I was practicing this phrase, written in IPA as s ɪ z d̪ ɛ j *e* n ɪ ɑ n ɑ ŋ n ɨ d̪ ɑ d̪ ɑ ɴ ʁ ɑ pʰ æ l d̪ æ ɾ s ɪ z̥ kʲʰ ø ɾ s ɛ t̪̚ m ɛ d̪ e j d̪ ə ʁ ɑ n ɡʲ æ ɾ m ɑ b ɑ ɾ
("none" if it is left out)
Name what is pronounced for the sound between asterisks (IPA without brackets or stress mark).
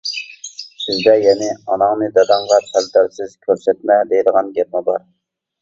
ɛ